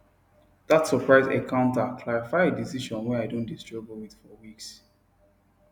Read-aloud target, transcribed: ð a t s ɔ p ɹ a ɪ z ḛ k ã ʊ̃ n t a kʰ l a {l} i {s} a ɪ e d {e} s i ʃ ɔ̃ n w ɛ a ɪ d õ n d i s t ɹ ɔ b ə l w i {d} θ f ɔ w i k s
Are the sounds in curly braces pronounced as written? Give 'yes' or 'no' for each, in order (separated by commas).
no, no, no, no